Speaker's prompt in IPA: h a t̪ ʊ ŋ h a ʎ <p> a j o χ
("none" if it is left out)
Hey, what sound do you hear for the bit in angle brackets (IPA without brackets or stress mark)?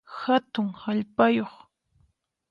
p